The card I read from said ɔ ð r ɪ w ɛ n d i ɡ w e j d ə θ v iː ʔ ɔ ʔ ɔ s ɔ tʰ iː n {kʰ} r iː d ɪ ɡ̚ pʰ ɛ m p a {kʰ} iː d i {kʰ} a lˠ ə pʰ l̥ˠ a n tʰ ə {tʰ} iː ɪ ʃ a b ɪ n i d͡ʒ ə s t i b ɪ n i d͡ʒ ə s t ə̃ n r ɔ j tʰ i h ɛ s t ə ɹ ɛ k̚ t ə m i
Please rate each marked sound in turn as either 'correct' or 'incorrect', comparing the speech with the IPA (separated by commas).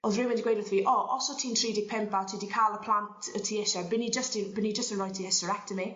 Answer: incorrect, incorrect, correct, correct